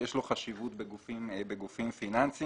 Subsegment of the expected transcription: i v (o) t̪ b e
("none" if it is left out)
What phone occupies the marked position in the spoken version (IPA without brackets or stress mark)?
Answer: u